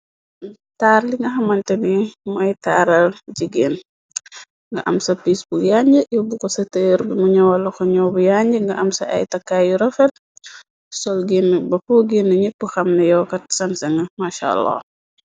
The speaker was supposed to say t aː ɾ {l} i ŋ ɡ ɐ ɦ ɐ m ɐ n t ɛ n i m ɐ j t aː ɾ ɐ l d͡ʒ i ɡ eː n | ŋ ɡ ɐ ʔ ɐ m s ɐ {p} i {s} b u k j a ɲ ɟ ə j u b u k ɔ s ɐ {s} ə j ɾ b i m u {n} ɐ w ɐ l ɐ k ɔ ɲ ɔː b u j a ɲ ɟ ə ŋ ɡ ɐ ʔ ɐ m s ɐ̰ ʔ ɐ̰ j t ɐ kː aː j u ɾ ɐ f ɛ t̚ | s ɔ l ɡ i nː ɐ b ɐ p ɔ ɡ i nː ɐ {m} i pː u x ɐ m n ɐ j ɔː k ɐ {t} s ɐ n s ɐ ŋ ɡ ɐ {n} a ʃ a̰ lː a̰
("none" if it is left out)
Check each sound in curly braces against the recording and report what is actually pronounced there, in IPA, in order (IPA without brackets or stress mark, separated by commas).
l, p, s, t, ɲ, ɲ, t, m